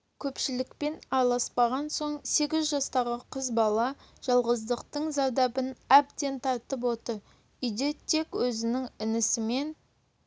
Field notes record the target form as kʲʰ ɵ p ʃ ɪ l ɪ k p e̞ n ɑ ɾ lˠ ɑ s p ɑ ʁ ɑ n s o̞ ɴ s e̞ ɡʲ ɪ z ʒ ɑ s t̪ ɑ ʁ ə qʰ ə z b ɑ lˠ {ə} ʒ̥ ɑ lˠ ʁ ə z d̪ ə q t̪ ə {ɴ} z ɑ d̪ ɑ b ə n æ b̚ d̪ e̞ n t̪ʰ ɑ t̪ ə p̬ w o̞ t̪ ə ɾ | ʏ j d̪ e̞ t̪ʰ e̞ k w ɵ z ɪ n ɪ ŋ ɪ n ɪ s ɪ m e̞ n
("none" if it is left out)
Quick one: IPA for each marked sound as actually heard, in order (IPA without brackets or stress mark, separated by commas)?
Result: ɑ, ɴ